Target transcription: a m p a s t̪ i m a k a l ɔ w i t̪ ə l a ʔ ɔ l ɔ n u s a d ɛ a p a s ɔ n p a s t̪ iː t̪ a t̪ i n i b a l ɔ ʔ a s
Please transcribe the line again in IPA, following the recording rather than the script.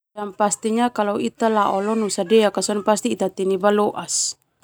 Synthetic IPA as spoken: a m p a s t̪ i ɲ a k a l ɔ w i t̪ a l a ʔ ɔ l ɔ n u s a d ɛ a k a s ɔ n p a s t̪ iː t̪ a t̪ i n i b a l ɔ ʔ a s